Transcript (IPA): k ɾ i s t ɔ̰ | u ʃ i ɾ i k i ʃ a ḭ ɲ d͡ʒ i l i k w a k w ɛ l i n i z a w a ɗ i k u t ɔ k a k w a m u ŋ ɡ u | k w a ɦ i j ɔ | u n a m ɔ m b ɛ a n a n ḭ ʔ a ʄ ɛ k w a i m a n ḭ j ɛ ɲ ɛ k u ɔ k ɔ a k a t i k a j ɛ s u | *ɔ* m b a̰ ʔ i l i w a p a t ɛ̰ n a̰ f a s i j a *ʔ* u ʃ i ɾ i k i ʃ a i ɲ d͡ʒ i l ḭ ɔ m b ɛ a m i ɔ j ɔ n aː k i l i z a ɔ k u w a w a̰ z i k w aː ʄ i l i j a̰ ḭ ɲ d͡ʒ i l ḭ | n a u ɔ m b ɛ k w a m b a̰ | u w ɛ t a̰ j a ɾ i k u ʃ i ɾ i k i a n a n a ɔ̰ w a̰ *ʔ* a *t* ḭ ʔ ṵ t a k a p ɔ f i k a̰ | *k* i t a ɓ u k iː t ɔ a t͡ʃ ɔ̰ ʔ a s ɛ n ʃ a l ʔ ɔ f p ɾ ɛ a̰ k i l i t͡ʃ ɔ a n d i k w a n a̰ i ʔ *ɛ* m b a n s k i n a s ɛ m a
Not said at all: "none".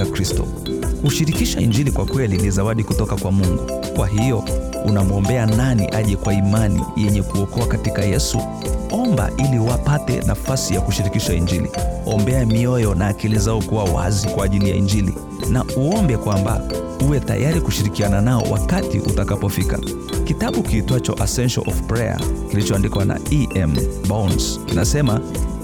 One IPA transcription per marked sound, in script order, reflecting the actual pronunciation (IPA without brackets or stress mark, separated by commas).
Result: ɔ, k, k, t, k, ɛ